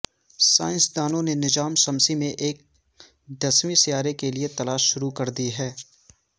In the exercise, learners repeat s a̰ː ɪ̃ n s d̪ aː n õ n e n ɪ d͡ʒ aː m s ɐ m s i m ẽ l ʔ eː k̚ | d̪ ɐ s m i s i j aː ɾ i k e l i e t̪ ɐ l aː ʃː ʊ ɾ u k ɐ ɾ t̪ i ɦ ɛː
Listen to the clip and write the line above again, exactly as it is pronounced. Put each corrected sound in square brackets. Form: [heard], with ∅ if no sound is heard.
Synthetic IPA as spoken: s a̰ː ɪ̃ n s d̪ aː n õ n e n ɪ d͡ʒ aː m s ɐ m s i m ẽ [∅] ʔ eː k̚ | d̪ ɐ s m i s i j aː ɾ [e] k e l i e t̪ ɐ l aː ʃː ʊ ɾ u k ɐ ɾ [d̪] i ɦ ɛː